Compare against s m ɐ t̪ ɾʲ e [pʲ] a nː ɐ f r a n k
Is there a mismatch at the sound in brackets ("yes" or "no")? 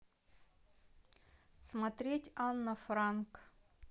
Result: yes